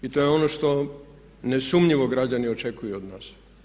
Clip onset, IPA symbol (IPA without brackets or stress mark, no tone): i